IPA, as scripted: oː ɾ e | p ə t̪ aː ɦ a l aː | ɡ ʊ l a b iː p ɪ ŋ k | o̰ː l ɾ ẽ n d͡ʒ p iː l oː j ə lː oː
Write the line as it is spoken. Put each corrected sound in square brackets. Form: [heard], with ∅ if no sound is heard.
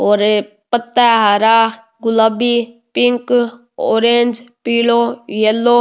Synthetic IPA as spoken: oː ɾ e | p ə t̪ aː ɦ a [ɾ] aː | ɡ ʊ l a b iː p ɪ ŋ k | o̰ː [∅] ɾ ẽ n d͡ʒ p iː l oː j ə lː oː